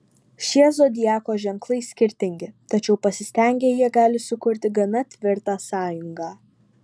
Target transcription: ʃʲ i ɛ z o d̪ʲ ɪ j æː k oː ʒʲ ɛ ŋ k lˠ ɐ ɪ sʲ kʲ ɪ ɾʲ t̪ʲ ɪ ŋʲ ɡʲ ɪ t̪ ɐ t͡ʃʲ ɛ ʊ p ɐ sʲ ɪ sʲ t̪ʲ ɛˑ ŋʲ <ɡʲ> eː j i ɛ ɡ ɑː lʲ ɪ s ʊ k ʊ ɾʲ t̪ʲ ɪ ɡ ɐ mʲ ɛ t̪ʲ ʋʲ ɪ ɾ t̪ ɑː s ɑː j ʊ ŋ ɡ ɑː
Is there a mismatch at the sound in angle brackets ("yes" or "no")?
no